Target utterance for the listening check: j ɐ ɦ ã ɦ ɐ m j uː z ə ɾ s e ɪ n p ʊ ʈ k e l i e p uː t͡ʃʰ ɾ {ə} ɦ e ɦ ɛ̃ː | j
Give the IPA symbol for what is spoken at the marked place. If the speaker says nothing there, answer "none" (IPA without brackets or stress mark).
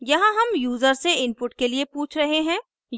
ɐ